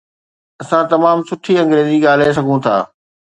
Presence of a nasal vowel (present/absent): present